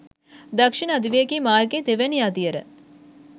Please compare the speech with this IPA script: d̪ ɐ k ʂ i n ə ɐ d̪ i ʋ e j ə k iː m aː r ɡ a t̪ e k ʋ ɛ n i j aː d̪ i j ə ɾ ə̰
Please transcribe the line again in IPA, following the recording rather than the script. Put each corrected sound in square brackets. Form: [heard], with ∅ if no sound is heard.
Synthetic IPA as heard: d̪ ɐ k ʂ i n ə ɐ d̪ i ʋ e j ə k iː m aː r ɡ [e] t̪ e [∅] ʋ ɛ n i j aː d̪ i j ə ɾ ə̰